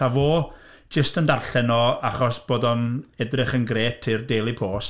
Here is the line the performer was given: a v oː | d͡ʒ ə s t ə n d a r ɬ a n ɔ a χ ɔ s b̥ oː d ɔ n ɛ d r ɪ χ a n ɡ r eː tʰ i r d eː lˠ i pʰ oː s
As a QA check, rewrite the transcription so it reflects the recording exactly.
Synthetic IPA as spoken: a v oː | d͡ʒ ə s t ə n d a r ɬ ɛ n ɔ a χ ɔ s b̥ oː d ɔ n ɛ d r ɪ χ ə n ɡ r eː tʰ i r d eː lˠ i pʰ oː s